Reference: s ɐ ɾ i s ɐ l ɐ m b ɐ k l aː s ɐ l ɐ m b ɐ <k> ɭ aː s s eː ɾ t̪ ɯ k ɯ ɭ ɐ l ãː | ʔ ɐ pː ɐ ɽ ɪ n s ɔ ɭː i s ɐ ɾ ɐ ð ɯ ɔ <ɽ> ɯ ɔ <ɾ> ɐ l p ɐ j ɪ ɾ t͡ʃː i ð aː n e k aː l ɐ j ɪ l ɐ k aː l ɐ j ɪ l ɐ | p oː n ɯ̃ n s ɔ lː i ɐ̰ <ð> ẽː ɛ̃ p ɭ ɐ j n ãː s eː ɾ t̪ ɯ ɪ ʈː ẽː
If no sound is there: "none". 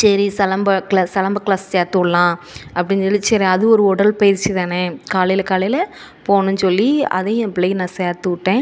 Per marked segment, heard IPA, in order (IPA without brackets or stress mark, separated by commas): k, ɾ, ɽ, ð